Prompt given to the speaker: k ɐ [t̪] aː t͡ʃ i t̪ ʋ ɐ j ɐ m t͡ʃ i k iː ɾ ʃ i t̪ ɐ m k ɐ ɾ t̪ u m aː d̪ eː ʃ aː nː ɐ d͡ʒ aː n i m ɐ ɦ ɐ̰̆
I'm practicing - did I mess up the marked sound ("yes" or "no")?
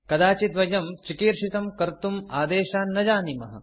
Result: yes